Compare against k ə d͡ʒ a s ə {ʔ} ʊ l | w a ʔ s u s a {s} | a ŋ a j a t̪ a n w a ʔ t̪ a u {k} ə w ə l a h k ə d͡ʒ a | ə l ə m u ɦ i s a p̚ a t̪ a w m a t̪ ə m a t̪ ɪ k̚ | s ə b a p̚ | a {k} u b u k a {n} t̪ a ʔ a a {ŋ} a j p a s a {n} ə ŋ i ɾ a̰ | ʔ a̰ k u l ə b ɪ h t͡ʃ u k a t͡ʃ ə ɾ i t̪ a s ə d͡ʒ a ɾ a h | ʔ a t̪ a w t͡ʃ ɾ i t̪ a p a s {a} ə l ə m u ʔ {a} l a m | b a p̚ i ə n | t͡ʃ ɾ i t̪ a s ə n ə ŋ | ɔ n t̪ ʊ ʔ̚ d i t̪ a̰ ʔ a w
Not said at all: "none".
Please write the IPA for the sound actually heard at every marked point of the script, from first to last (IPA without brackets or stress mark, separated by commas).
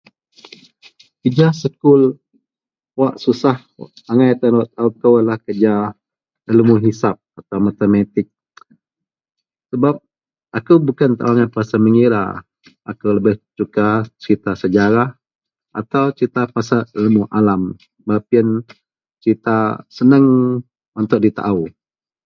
k, h, k, k, n, ŋ, m, a, a